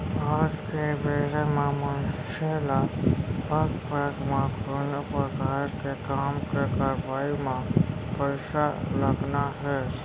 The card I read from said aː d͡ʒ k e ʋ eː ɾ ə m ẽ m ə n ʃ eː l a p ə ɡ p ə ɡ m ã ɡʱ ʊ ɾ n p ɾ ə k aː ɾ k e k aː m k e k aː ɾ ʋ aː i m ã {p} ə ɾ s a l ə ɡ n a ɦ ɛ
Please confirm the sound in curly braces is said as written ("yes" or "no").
yes